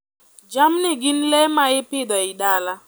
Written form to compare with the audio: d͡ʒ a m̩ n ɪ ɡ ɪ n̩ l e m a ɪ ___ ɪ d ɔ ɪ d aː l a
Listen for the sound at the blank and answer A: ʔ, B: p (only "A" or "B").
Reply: B